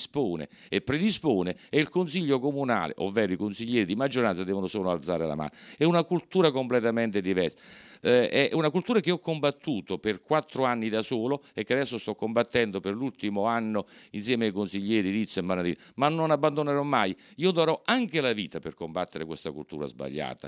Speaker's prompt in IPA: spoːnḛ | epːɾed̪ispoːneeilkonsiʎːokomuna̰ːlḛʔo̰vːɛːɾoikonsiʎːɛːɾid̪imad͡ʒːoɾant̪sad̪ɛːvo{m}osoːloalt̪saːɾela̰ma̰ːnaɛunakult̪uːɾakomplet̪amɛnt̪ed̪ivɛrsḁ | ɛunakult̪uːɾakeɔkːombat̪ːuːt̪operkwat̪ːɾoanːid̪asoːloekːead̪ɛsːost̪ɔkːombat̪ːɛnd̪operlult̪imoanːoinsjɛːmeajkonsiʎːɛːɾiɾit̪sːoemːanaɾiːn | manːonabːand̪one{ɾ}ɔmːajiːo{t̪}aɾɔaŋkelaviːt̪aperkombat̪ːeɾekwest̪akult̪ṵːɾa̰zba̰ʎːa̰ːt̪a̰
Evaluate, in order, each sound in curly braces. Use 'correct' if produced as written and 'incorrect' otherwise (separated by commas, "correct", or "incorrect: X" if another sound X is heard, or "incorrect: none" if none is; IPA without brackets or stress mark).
incorrect: n, correct, incorrect: d̪